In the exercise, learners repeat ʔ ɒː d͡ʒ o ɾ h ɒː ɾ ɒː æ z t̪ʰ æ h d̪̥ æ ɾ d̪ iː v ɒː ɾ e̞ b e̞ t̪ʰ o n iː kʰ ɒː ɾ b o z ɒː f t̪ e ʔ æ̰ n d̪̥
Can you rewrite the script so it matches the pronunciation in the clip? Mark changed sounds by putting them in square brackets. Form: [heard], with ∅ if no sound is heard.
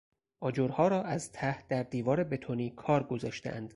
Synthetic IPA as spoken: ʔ ɒː d͡ʒ o ɾ h ɒː ɾ ɒː æ z t̪ʰ æ h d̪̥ æ ɾ d̪ iː v ɒː ɾ e̞ b e̞ t̪ʰ o n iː kʰ ɒː ɾ [ɡ] o z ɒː [ʃ] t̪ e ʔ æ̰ n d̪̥